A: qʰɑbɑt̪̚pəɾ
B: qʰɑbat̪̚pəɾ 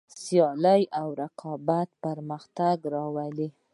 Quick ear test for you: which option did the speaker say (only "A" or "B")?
B